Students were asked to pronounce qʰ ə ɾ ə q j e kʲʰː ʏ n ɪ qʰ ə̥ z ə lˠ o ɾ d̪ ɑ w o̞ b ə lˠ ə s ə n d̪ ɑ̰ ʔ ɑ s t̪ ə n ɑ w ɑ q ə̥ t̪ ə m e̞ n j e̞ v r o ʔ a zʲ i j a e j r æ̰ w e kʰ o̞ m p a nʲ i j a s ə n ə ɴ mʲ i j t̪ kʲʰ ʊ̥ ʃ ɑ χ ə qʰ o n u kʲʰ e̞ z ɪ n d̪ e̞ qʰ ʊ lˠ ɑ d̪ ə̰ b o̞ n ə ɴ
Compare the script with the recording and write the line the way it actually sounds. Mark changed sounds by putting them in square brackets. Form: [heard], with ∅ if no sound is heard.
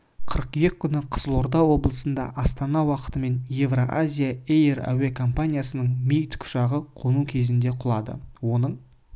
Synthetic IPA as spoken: qʰ ə ɾ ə q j e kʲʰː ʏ n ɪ qʰ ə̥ z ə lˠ o ɾ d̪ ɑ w o̞ b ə lˠ ə s ə n d̪ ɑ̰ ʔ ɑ s t̪ [ɑ] n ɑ w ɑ q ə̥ t̪ ə m e̞ n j e̞ v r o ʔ a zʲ i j a e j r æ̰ w e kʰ o̞ m p a nʲ i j a s ə n ə ɴ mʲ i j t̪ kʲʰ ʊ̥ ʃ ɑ [ʁ] ə qʰ o n u kʲʰ e̞ z ɪ n d̪ e̞ qʰ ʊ lˠ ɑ d̪ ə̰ [w] o̞ n ə ɴ

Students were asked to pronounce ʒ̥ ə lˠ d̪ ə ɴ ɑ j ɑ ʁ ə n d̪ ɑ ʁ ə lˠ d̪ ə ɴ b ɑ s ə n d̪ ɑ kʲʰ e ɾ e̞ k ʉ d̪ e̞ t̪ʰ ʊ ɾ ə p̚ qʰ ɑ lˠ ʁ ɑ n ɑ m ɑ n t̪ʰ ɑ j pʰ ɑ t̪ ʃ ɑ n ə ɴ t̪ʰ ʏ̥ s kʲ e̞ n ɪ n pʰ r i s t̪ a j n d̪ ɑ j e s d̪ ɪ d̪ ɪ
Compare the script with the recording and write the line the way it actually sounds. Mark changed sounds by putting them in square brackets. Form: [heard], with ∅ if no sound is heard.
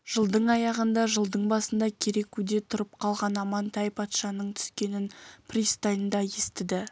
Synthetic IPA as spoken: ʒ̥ ə lˠ d̪ ə ɴ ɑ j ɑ ʁ ə n d̪ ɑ [ʒ] ə lˠ d̪ ə ɴ b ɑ s ə n d̪ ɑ kʲʰ e ɾ e̞ k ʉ d̪ e̞ t̪ʰ ʊ ɾ ə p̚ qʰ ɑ lˠ ʁ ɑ n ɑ m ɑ n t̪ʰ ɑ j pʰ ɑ t̪ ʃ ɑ n ə ɴ t̪ʰ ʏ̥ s kʲ e̞ n ɪ n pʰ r i s t̪ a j n d̪ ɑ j e s [t̪] ɪ d̪ ɪ

